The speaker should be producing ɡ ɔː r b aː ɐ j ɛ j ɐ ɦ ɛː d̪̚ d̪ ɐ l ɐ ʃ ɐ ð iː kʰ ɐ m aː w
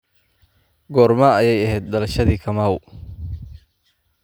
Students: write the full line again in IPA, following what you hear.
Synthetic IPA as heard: ɡ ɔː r m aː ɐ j ɛ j ɐ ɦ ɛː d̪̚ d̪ ɐ l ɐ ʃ ɐ ð iː kʰ ɐ m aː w